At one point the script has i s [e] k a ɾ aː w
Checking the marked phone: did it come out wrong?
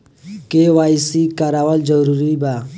yes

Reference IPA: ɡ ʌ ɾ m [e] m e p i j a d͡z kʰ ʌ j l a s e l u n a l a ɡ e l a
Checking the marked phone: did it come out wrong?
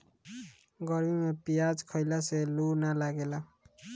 yes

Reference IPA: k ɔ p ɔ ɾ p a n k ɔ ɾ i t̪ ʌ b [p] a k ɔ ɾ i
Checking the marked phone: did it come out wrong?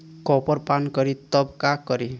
yes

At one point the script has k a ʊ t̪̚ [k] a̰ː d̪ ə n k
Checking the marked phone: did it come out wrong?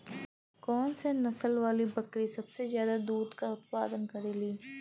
yes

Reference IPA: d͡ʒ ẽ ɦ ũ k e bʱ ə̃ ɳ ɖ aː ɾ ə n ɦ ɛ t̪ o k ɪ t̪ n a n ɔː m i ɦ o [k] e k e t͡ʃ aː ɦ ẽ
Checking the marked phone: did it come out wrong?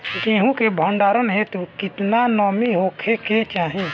yes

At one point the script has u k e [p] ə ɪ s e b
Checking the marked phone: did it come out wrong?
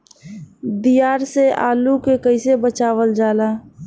yes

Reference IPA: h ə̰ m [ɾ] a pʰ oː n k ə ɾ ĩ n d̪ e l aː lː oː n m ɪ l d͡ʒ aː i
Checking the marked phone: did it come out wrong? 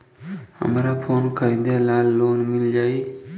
no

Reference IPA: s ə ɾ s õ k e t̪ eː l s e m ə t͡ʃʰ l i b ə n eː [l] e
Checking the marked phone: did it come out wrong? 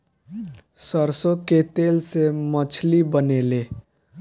no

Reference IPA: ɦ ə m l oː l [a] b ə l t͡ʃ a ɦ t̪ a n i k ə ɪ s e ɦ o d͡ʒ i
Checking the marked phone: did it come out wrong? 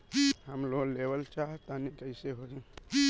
yes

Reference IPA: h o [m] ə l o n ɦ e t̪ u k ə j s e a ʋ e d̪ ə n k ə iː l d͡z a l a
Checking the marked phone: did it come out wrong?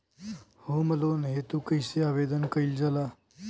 no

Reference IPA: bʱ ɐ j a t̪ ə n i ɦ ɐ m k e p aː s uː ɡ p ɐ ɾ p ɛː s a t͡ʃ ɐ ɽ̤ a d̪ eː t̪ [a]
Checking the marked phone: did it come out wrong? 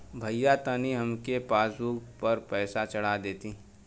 yes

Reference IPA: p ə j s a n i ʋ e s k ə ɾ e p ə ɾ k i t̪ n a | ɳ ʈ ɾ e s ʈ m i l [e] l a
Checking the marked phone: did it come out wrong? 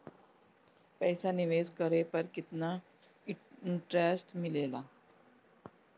no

